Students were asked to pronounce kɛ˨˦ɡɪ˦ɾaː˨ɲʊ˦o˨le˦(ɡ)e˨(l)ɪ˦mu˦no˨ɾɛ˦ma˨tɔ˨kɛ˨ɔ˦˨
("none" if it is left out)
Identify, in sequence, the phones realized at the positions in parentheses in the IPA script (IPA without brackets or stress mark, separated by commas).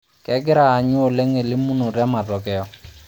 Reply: ŋ, l